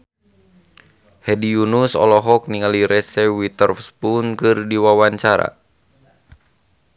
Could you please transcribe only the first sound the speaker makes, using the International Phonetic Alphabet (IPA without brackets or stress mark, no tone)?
h